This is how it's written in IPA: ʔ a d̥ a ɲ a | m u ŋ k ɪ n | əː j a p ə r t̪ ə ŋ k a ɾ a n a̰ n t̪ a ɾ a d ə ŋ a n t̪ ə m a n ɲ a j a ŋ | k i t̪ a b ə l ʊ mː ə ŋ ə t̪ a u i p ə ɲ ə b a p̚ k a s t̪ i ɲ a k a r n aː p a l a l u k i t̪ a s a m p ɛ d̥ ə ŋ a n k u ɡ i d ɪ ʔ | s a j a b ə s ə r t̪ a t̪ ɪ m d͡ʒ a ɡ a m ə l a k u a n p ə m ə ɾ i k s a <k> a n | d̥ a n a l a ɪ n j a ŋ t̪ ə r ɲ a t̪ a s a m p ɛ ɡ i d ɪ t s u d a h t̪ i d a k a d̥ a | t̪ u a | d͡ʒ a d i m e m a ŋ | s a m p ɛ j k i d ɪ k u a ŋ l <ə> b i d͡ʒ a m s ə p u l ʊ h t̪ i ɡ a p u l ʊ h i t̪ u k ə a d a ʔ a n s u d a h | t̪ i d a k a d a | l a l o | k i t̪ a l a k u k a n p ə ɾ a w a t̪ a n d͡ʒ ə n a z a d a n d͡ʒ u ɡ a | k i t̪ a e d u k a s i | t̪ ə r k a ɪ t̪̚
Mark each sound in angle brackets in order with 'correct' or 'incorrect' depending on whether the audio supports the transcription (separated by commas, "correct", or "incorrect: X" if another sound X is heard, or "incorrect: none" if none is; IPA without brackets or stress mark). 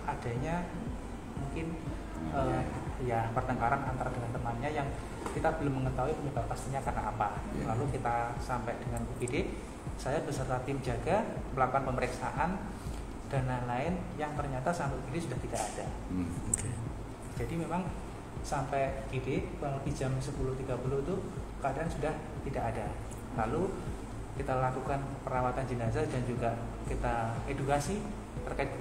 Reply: incorrect: ʔ, correct